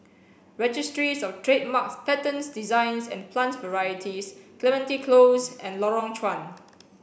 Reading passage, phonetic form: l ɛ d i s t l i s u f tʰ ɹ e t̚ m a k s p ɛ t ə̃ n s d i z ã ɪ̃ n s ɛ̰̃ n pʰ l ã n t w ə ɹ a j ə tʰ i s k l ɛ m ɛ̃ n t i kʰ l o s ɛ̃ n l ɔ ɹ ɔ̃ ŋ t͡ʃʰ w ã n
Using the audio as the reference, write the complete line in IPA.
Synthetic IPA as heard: ɹ ɛ d͡ʒ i s t ɹ i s ɔ f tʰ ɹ e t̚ m a k s p ɛ t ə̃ n s d i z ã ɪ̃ n s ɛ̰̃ n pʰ l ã n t v ə ɹ a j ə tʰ i s k l ɛ m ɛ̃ n t i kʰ l o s ɛ̃ n l ɔ ɹ ɔ̃ ŋ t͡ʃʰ w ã n